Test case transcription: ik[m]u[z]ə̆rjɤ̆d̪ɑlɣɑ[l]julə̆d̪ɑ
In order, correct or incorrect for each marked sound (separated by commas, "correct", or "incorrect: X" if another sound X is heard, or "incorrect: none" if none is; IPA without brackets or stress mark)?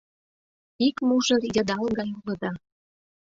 correct, incorrect: ʒ, incorrect: none